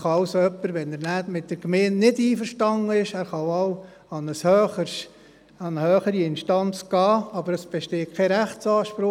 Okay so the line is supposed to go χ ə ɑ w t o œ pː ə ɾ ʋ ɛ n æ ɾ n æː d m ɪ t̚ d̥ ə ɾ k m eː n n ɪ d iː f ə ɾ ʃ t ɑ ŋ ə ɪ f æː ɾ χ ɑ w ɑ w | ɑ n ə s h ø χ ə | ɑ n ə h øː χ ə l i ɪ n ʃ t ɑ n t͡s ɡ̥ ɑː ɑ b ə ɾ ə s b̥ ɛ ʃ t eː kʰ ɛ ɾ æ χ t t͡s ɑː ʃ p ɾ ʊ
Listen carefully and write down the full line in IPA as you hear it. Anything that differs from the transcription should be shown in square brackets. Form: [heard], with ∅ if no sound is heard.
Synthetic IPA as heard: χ [ɑ] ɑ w [s] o œ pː ə ɾ ʋ ɛ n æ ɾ n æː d m ɪ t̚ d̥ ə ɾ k m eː n n ɪ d iː f ə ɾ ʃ t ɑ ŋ ə ɪ [ʃ] æː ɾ χ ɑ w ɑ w | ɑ n ə s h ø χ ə | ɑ n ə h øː χ ə [ɾ] i ɪ n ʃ t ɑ n t͡s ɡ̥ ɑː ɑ b ə ɾ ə s b̥ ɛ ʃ t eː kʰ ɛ ɾ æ χ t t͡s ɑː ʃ p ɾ ʊ